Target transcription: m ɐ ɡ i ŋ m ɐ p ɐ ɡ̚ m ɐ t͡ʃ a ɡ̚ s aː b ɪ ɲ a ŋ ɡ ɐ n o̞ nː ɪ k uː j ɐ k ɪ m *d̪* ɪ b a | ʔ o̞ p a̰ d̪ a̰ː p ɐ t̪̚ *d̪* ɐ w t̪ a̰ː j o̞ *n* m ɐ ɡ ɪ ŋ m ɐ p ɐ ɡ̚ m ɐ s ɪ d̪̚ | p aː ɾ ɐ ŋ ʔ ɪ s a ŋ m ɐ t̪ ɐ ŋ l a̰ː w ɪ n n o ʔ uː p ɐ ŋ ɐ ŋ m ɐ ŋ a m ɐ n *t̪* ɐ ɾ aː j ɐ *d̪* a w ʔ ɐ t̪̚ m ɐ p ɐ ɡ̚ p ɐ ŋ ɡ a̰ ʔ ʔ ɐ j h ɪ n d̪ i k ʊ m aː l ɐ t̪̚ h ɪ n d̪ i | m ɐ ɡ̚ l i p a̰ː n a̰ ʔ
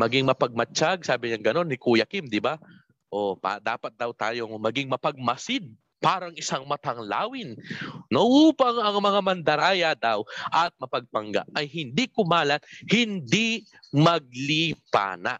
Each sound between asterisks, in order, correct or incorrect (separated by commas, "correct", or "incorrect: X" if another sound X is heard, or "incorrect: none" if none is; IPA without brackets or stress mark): correct, correct, incorrect: ŋ, incorrect: d̪, correct